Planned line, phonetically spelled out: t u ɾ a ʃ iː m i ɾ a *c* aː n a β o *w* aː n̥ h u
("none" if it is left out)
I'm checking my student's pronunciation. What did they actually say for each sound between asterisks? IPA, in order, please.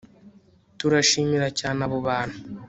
c, β

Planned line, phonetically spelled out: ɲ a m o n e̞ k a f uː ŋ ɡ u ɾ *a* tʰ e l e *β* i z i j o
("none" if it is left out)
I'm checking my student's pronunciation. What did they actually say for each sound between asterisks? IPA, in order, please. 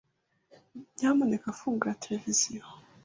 a, v

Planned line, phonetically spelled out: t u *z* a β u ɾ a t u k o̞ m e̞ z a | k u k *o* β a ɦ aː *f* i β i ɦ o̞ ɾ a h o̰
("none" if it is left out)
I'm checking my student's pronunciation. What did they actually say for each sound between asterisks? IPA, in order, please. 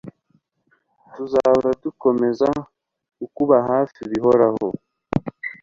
z, u, f

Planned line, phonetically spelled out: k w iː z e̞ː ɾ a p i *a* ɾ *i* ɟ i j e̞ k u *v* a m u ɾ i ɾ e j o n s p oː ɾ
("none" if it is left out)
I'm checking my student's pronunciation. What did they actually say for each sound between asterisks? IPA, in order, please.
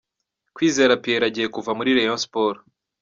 e, a, v

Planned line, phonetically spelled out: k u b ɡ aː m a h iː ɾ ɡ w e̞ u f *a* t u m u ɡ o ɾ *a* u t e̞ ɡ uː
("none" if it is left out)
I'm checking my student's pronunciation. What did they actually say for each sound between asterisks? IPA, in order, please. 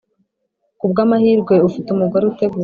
i, e

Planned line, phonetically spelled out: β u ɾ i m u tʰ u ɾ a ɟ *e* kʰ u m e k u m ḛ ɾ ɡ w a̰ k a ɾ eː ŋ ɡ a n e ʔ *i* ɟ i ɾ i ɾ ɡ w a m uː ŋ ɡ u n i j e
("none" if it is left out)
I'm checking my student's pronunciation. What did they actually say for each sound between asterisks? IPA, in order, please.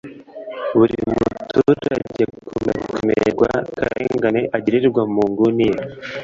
e, a

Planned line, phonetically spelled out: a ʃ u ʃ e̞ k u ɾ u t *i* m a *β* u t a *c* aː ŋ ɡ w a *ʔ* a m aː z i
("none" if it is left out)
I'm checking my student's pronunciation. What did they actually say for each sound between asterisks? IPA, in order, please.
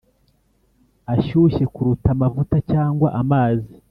a, v, c, ʔ

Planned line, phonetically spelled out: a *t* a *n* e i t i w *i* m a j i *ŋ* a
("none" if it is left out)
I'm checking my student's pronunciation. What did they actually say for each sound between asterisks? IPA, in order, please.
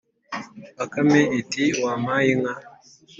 k, m, a, ŋ

